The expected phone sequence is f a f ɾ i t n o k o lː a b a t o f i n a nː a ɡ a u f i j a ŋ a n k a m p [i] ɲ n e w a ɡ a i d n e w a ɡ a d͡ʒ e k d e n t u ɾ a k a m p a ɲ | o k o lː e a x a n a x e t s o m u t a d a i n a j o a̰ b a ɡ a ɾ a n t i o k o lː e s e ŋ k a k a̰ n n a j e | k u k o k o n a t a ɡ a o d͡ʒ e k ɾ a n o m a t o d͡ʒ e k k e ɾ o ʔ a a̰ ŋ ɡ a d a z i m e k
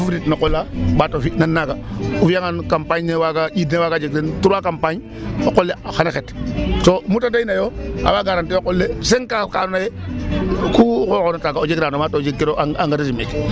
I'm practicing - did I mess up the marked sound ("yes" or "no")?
yes